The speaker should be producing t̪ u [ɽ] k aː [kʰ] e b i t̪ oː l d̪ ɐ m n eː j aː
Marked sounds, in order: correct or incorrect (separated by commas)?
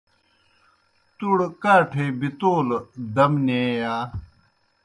correct, incorrect